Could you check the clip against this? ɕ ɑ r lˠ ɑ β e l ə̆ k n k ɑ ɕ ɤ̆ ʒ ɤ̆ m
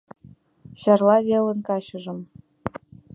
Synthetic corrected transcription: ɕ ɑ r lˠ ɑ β e l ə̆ n k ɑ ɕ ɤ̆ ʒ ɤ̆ m